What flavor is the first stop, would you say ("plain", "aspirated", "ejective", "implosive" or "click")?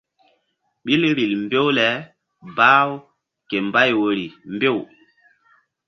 implosive